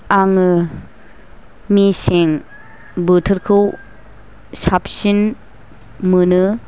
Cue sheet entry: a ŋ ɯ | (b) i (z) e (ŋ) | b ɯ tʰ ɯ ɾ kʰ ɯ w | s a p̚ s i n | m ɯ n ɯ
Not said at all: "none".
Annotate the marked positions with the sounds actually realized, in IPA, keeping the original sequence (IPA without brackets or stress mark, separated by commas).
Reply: m, s, ŋ